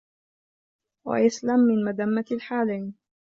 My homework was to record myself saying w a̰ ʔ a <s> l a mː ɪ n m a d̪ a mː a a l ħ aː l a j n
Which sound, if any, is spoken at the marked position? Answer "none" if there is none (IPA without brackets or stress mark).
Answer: s